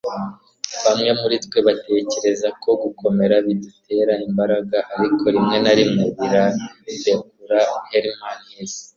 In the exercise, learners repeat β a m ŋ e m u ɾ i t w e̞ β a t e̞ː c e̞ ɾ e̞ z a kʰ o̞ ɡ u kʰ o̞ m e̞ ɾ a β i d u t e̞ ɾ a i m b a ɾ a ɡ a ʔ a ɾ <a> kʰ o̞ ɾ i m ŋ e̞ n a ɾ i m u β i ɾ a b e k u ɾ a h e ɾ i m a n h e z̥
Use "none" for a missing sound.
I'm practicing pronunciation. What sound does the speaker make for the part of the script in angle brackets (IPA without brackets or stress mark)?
i